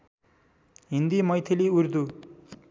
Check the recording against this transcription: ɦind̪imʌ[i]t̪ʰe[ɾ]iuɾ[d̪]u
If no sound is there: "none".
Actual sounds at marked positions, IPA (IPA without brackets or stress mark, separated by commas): j, l, d̪